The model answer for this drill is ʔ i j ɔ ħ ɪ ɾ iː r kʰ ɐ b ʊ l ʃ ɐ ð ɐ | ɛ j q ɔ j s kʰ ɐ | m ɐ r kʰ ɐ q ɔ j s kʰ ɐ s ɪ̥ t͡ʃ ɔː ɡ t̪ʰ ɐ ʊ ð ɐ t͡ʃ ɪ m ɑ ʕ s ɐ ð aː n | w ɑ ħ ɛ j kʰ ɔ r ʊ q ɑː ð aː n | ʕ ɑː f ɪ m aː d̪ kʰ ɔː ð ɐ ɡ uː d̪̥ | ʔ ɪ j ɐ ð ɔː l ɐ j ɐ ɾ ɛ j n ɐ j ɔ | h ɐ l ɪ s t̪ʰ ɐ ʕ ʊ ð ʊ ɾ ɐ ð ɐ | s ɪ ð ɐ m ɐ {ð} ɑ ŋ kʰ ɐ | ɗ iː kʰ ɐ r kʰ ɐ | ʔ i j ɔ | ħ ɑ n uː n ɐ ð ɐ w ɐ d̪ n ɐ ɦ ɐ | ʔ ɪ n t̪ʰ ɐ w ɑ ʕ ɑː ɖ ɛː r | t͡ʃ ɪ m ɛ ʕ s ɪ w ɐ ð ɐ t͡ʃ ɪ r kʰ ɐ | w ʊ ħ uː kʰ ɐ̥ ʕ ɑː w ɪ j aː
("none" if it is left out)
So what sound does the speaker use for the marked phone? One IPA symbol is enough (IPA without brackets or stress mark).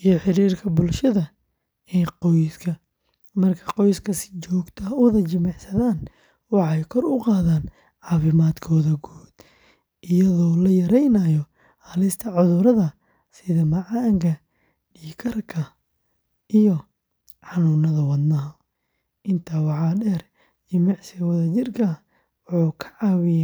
ʕ